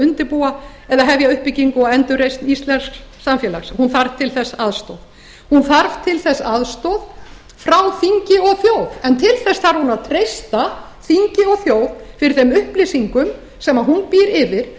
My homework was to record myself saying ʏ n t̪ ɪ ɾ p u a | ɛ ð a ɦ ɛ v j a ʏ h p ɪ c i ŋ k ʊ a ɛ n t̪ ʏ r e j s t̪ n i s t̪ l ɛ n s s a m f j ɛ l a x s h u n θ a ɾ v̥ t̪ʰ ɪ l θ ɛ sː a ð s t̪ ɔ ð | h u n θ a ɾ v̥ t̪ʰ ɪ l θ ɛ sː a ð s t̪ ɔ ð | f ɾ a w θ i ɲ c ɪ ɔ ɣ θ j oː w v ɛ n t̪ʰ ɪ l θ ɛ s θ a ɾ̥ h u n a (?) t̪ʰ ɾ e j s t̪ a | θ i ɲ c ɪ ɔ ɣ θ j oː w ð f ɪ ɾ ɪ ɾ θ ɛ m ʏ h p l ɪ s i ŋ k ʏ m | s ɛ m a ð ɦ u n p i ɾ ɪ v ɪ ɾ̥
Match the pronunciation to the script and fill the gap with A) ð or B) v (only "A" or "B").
A